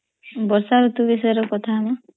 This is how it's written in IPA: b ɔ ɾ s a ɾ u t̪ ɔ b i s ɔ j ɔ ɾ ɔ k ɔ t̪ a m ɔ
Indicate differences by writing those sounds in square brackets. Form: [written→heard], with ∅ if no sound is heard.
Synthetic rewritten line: b ɔ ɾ s a ɾ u t̪ [ɔ→u] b i s ɔ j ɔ ɾ ɔ k ɔ [t̪→t̪ʰ] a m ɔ